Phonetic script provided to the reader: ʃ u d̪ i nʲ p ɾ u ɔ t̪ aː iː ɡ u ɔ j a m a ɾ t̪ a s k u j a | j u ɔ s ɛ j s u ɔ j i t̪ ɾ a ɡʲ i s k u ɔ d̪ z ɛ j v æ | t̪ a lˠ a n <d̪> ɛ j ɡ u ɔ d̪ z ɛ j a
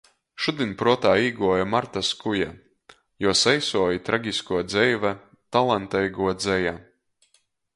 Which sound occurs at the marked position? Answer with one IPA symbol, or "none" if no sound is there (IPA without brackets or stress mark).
t̪